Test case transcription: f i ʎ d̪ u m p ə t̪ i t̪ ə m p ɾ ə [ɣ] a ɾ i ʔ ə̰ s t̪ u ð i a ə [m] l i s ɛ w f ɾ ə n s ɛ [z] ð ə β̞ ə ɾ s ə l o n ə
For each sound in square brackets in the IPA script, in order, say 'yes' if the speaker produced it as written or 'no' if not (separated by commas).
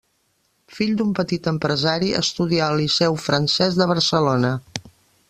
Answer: no, no, yes